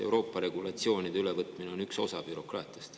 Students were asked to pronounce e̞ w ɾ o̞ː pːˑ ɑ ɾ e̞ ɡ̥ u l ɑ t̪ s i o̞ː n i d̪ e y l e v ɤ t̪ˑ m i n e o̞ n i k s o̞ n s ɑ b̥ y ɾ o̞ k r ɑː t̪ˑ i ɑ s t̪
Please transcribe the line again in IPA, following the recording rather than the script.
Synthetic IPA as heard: e̞ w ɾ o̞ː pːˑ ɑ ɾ e̞ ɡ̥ u l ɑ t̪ s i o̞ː n i d̪ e y l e v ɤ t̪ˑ m i n e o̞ n y k s o̞ s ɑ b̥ y ɾ o̞ k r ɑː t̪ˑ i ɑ s t̪